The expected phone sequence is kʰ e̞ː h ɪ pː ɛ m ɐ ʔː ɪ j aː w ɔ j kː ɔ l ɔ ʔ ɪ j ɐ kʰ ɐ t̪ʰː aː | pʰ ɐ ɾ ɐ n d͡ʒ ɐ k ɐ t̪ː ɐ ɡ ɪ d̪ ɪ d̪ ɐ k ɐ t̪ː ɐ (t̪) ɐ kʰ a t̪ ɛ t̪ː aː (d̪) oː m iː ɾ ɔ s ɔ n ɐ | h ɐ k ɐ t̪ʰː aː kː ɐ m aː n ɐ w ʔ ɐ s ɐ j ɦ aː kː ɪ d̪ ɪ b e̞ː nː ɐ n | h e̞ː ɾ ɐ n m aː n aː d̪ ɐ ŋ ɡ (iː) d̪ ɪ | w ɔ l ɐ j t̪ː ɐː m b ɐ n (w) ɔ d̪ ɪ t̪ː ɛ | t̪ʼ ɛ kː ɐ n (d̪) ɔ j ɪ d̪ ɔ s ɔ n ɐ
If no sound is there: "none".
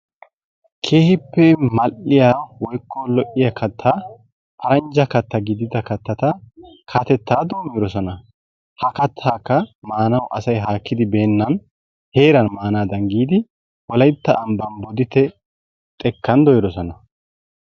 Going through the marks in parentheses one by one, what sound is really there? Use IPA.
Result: t̪, d̪, iː, b, d̪

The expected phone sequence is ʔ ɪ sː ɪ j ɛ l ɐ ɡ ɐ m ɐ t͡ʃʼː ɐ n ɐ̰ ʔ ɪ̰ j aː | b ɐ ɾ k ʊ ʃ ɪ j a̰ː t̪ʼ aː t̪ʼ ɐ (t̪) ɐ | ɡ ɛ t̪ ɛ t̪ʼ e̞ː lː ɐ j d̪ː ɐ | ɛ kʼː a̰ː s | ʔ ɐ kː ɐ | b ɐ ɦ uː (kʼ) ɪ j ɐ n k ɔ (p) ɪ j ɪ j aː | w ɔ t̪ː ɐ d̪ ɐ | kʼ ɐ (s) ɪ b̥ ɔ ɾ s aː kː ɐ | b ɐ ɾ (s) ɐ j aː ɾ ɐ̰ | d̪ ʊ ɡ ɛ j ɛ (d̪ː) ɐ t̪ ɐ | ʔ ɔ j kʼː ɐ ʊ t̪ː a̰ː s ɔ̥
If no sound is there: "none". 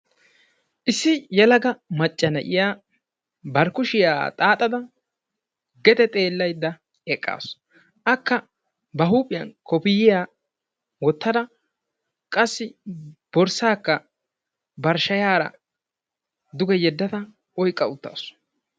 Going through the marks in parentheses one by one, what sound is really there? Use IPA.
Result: d̪, pʼ, p, sː, ʃ, d̪ː

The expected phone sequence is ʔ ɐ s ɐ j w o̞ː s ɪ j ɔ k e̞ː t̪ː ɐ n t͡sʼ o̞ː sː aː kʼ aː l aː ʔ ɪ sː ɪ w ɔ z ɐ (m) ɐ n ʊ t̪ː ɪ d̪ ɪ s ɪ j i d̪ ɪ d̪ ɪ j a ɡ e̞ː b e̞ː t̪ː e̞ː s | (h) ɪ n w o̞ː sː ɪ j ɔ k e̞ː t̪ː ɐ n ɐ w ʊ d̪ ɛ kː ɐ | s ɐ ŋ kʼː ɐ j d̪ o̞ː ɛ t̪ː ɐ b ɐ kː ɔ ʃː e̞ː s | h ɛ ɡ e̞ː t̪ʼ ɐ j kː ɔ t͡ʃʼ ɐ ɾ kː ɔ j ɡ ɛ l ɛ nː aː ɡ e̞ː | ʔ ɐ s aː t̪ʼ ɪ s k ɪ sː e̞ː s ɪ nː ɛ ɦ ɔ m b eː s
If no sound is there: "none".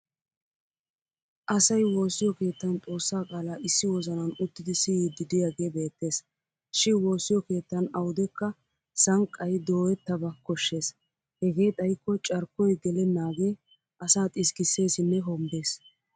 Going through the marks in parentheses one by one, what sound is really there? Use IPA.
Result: n, ʃ

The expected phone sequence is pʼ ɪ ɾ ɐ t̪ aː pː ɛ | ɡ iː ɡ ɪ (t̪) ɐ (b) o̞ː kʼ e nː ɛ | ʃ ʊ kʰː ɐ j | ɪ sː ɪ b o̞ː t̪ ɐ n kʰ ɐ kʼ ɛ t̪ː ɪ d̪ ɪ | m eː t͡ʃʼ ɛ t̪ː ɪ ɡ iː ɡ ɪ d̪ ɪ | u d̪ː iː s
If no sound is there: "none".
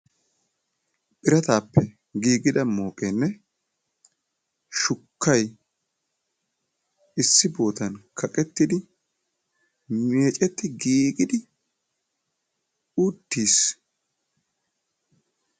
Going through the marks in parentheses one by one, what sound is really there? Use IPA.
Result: d̪, m

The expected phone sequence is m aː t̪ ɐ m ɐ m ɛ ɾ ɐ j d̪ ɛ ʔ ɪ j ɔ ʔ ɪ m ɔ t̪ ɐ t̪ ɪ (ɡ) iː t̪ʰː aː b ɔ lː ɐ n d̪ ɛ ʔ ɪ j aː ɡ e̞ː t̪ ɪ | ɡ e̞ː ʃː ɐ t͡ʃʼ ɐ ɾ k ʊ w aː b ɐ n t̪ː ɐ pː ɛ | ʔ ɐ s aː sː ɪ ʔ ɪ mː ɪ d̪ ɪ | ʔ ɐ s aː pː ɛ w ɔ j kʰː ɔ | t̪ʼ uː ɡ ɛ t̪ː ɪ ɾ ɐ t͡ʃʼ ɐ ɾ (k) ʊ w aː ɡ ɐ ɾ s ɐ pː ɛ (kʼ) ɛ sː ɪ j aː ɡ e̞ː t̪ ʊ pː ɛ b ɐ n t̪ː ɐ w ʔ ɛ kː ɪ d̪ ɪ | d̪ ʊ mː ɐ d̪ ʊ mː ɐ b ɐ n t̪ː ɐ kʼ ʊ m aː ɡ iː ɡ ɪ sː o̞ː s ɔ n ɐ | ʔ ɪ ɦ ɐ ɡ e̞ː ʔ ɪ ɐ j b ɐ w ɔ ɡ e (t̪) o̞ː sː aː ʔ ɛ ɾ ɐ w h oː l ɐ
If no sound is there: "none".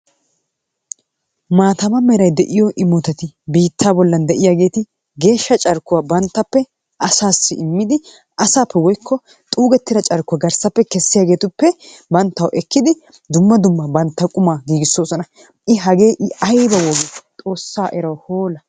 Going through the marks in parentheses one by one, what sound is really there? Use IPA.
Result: b, k, k, t̪ʼ

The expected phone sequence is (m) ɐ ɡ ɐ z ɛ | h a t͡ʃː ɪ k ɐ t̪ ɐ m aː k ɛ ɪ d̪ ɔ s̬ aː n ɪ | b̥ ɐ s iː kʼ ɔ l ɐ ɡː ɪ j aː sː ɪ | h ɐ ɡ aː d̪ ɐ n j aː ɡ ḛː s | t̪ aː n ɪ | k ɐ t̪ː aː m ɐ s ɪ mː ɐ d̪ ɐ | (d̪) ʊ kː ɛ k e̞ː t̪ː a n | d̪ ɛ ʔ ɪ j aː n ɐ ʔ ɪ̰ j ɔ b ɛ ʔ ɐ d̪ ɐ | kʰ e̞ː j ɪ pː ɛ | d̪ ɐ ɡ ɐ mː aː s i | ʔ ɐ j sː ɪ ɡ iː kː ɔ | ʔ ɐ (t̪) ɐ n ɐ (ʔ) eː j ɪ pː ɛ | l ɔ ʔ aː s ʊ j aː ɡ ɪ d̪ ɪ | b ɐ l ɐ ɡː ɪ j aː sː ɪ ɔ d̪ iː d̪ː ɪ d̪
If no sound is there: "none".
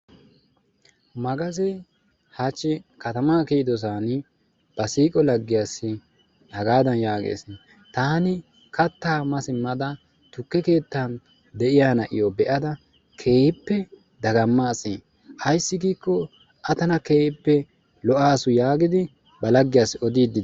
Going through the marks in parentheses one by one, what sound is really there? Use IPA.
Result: m, t̪, t̪, k

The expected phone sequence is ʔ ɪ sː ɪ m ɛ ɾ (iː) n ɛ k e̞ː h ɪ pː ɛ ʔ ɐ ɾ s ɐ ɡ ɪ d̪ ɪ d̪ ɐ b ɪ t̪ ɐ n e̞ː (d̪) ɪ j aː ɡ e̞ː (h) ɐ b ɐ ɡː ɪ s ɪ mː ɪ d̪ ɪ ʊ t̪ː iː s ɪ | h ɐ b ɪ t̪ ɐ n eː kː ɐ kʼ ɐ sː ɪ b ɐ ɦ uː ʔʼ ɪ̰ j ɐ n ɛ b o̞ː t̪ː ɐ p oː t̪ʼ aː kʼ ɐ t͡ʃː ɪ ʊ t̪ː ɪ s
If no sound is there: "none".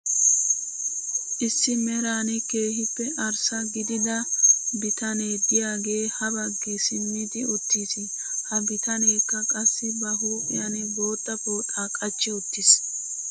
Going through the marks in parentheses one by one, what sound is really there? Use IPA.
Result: aː, d̪, h

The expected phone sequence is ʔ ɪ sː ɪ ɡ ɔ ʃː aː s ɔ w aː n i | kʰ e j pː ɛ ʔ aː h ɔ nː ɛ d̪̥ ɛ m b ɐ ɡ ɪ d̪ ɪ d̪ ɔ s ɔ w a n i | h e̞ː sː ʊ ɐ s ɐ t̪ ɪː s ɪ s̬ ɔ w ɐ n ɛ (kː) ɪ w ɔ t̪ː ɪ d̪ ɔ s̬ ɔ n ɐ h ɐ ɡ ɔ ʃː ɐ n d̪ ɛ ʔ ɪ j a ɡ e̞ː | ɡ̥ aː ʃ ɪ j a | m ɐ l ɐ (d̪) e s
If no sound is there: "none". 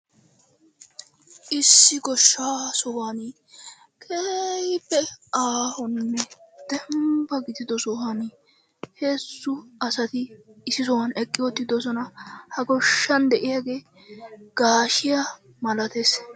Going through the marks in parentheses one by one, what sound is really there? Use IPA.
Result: kʼː, t̪

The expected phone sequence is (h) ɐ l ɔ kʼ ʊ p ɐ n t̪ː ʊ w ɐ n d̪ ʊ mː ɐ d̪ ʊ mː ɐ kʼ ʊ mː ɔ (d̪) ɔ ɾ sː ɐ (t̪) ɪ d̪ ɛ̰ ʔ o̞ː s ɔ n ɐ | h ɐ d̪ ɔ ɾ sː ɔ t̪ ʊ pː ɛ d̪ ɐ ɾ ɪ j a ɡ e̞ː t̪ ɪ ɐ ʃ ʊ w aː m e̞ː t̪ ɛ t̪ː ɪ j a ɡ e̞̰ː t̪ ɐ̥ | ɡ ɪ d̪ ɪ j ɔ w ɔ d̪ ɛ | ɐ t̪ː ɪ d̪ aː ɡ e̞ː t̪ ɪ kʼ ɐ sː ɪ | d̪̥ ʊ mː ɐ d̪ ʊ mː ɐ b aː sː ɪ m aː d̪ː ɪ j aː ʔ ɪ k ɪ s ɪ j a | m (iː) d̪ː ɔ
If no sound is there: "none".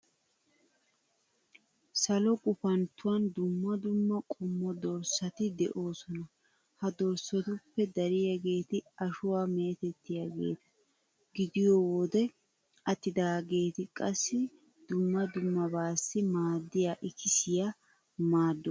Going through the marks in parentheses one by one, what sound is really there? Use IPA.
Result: s, d̪, t̪, aː

